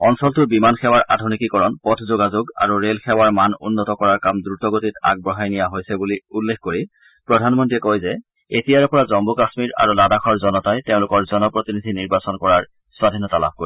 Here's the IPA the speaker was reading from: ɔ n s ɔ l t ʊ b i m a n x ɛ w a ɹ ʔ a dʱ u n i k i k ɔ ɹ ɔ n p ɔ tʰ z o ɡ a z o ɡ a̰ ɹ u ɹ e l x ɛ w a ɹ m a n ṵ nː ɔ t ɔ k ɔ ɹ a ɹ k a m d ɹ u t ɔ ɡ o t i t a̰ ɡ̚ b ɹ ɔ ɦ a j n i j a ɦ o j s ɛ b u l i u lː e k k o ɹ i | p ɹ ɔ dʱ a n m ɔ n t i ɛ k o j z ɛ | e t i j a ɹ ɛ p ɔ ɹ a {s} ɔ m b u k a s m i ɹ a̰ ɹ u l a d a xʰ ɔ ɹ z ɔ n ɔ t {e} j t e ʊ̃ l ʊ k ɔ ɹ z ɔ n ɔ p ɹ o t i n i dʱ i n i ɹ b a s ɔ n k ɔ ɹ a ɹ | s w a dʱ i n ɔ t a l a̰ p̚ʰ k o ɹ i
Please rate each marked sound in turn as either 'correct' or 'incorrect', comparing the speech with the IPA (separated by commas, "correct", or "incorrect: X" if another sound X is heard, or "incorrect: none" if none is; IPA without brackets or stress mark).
incorrect: z, incorrect: a